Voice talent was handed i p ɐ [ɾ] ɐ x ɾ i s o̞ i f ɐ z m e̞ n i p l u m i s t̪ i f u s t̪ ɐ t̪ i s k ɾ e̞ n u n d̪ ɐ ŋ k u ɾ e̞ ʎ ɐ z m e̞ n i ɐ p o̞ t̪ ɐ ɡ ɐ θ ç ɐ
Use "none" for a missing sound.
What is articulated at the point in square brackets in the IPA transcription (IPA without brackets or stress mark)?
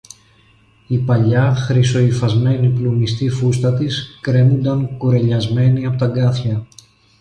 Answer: ʎ